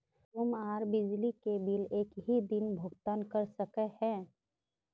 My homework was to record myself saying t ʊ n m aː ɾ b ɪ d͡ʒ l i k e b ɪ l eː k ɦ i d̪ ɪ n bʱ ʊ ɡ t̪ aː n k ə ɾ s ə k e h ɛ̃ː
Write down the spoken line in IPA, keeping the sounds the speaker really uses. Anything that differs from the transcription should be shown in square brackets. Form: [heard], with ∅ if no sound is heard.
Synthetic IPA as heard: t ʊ [∅] m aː ɾ b ɪ d͡ʒ l i k e b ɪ l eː k ɦ i d̪ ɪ n bʱ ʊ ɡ t̪ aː n k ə ɾ s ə k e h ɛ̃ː